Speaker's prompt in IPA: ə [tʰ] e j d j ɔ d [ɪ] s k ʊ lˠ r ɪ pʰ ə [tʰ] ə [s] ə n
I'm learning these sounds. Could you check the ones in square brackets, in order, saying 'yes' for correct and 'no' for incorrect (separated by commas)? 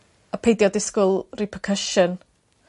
no, yes, no, no